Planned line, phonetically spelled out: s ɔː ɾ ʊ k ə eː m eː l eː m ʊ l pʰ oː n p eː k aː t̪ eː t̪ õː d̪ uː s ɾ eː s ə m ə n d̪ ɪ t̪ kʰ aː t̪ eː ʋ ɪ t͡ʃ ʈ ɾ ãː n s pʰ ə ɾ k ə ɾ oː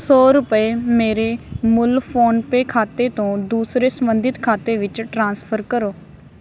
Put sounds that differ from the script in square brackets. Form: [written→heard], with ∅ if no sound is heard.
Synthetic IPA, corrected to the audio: s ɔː ɾ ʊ [k→p] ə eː m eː [l→ɾ] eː m ʊ l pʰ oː n p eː [k→kʰ] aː t̪ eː t̪ õː d̪ uː s ɾ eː s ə m ə n d̪ ɪ t̪ kʰ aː t̪ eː ʋ ɪ t͡ʃ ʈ ɾ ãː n s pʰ ə ɾ k ə ɾ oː